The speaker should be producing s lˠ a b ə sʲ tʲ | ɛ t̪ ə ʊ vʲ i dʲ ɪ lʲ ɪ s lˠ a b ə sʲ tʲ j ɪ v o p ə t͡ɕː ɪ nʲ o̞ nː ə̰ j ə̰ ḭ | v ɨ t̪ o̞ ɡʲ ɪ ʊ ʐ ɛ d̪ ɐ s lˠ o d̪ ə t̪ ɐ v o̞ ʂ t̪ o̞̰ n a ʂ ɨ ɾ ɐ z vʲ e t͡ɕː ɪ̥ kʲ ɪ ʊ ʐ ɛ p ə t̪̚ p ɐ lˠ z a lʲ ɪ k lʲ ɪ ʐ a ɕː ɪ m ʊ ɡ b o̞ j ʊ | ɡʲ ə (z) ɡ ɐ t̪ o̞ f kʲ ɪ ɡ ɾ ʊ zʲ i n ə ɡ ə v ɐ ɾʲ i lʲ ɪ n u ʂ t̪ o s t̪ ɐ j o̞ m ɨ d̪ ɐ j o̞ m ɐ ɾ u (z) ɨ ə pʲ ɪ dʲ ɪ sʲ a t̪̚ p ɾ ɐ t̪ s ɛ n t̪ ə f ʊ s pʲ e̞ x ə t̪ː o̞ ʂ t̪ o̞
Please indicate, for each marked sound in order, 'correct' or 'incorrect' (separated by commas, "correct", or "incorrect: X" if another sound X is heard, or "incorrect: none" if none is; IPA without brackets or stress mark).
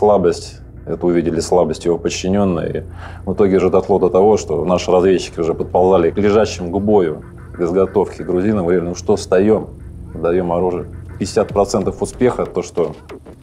correct, incorrect: ʐ